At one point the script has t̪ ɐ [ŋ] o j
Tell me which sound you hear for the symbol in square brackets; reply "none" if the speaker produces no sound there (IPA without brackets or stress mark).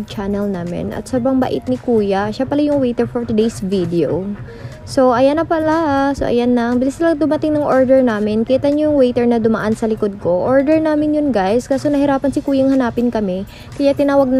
ɲ